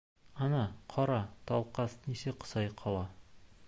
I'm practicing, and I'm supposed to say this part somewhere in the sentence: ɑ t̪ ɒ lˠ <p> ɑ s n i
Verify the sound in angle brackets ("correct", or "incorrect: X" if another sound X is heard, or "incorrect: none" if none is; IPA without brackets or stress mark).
incorrect: q